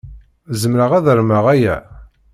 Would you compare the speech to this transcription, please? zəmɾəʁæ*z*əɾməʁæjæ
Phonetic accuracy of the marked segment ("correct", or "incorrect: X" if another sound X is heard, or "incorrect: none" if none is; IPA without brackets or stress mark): incorrect: ð